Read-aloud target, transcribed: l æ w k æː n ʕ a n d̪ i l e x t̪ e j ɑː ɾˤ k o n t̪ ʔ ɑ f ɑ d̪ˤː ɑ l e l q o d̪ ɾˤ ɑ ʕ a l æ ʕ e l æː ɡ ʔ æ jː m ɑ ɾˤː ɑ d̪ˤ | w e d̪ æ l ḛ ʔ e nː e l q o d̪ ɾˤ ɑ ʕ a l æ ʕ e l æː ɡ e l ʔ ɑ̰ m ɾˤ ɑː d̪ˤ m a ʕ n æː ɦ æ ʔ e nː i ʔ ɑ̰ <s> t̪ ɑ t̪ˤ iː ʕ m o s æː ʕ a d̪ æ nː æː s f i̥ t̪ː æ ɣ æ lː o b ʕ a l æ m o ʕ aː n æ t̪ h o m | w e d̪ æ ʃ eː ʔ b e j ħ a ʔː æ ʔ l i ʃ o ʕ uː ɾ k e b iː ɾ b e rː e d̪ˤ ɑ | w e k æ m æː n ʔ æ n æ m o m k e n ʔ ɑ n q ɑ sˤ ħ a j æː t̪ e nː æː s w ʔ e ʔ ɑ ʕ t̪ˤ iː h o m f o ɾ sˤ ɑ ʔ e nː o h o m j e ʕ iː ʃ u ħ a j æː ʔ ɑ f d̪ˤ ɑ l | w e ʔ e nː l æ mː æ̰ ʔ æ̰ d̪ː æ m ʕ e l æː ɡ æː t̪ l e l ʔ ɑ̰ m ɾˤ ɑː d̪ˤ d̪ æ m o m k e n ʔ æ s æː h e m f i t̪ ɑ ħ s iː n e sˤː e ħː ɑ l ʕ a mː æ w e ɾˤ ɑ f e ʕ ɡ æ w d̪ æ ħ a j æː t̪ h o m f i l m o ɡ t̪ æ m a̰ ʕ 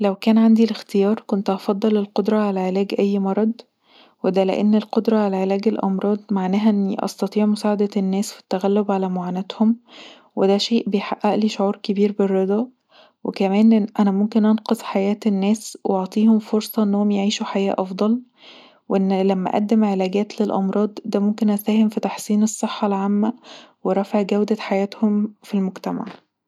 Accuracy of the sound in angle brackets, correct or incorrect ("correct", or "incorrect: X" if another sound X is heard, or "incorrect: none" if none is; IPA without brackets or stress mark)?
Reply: correct